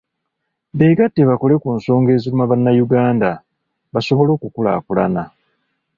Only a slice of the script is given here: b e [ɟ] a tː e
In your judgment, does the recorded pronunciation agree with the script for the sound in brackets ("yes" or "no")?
no